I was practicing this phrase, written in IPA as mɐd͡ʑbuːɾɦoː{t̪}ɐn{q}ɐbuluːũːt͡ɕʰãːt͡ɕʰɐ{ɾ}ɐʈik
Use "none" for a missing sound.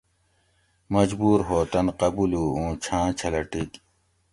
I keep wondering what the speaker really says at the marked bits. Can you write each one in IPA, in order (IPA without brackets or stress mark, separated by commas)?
t̪, q, l